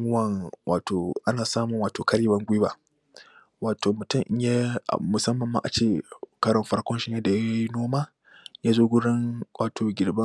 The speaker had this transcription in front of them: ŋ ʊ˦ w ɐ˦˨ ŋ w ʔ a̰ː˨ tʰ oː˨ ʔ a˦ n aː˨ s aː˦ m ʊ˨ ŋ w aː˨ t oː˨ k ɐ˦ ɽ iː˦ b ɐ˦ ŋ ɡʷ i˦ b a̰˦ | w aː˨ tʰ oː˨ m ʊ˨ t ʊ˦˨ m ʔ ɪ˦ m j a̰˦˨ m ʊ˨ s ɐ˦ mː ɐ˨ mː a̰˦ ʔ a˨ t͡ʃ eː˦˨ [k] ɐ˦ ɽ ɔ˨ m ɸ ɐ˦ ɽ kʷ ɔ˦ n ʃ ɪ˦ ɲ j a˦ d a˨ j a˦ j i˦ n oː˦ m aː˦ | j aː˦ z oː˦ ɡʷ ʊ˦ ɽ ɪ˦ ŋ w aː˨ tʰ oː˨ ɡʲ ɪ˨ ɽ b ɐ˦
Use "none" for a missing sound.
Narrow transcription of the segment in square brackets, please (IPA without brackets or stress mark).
k